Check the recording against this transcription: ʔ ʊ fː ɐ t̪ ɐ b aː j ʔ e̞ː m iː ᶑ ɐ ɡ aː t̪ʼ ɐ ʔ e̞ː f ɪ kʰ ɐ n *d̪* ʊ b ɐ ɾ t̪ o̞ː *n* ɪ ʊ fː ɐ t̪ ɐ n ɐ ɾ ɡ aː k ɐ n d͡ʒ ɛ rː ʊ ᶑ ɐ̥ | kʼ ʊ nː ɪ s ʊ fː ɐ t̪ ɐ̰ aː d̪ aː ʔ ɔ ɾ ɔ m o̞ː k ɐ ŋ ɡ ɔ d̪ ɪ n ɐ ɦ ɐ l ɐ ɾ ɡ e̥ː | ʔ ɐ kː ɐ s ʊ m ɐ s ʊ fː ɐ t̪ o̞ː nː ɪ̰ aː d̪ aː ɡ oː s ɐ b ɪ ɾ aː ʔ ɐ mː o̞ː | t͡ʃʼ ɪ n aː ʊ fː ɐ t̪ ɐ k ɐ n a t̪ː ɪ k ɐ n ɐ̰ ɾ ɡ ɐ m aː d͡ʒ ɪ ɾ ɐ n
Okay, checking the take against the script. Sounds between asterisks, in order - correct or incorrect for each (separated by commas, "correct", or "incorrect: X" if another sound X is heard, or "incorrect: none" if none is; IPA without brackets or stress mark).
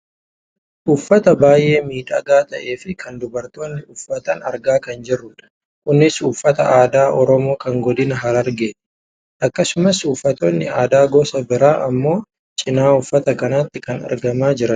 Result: correct, incorrect: nː